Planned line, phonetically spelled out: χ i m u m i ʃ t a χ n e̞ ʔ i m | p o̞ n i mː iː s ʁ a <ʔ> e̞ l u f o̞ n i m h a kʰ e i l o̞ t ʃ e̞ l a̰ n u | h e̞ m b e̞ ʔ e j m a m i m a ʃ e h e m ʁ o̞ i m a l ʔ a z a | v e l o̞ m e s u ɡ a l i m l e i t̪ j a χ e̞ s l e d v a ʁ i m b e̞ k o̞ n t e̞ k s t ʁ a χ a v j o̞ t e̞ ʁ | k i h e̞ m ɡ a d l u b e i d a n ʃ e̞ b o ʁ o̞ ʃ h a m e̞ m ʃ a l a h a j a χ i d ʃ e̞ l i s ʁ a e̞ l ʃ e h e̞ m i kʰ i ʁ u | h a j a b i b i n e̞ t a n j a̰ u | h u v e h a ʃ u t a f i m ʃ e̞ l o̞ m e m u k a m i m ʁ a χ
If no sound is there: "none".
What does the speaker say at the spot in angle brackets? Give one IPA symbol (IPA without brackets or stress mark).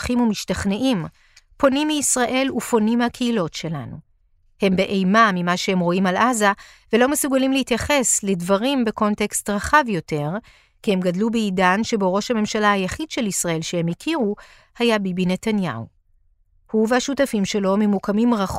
ʔ